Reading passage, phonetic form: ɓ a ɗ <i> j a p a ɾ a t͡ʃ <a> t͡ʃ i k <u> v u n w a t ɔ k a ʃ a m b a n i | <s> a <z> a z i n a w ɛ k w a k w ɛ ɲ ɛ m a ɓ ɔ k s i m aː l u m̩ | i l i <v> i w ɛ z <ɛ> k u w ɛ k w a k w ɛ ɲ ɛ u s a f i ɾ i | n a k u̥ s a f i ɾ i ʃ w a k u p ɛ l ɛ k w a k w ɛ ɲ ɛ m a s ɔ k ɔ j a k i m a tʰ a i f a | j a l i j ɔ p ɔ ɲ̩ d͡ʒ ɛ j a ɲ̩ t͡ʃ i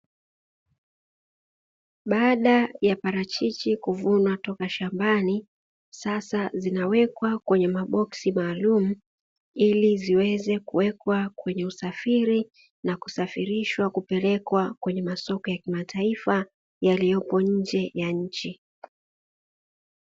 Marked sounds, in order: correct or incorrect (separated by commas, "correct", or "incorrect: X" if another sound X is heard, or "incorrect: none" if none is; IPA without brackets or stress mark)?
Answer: incorrect: a, incorrect: i, correct, correct, incorrect: s, incorrect: z, correct